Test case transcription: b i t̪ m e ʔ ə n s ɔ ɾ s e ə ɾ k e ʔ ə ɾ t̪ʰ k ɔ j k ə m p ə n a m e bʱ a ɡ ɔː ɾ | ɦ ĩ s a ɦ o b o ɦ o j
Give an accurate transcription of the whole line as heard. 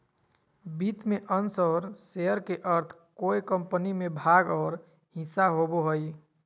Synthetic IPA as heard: b i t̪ m e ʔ ə n s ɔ ɾ s e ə ɾ k e ʔ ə ɾ t̪ʰ k o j k ə m p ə n i m e bʱ a ɡ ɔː ɾ | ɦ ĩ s a ɦ o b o ɦ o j